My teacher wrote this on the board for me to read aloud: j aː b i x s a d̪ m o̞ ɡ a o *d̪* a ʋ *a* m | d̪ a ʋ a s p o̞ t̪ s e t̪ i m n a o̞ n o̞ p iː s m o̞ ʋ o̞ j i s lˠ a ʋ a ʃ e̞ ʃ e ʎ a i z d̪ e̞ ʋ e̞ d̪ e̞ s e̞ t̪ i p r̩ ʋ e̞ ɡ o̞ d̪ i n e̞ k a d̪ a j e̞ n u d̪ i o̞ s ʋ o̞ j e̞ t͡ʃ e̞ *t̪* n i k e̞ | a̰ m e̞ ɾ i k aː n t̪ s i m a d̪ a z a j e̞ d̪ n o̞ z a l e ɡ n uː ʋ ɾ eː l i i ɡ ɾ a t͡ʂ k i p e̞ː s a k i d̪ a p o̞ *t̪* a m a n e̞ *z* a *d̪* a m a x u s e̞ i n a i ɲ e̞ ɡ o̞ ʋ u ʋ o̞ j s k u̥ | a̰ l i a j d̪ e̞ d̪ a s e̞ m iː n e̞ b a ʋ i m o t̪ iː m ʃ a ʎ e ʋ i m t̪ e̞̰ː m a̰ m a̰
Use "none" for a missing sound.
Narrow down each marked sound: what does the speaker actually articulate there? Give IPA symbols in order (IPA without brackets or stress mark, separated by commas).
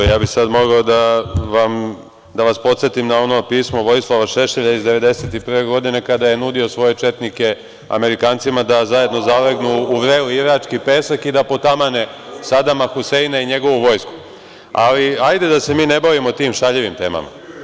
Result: d̪, a, t̪, t̪, s, d̪